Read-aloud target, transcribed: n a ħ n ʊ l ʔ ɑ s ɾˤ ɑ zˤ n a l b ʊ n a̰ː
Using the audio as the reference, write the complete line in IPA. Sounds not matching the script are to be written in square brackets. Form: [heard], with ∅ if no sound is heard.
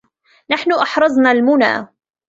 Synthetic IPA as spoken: n a ħ n ʊ [∅] ʔ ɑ [ħ] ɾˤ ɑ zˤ n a l [m] ʊ n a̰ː